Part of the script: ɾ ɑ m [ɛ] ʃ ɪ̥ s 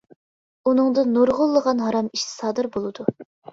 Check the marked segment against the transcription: incorrect: i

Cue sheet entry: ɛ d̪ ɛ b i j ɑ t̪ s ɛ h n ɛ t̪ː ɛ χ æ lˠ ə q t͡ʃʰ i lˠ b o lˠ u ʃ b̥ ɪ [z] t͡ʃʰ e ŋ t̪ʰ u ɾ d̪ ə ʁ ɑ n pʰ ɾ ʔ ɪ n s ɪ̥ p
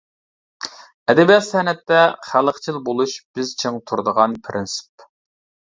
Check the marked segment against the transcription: correct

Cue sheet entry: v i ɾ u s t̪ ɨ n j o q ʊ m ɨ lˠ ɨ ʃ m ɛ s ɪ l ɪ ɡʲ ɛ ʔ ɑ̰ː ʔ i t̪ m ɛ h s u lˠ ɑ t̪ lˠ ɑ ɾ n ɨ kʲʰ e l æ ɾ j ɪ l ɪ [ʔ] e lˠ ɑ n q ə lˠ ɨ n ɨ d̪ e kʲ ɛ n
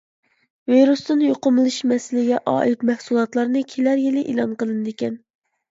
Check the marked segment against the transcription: correct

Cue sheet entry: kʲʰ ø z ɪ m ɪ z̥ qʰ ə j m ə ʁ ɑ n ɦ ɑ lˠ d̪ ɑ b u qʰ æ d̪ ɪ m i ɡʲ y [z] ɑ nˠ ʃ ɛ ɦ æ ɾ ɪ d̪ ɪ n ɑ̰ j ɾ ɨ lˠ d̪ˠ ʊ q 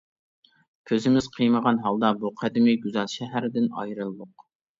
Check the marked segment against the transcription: correct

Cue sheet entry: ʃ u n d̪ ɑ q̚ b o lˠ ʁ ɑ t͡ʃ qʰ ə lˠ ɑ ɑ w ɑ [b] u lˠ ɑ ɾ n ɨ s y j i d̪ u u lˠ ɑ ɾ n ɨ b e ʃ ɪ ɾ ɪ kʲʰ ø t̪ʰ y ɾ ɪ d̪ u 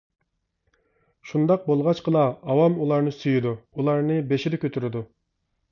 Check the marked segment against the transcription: incorrect: m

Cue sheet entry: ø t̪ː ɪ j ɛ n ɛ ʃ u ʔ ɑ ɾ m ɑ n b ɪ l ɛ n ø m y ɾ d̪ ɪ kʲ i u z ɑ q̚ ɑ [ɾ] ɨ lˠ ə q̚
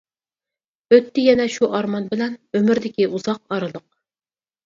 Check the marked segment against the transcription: correct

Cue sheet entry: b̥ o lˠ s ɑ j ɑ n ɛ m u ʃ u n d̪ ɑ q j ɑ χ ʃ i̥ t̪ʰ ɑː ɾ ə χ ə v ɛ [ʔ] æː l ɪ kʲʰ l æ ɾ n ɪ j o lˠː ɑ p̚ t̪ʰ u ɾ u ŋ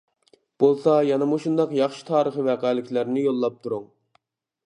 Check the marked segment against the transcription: incorrect: q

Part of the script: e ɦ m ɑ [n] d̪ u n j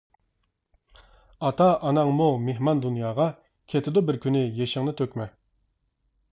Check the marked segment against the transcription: correct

